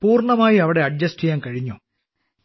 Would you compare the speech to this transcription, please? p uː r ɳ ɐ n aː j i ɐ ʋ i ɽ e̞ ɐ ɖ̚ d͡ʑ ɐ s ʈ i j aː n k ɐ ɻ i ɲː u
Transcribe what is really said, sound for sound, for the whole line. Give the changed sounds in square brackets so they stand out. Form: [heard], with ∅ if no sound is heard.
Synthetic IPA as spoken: p uː r ɳ ɐ [m] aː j i ɐ ʋ i ɽ e̞ ɐ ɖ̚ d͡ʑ ɐ s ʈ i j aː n k ɐ ɻ i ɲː u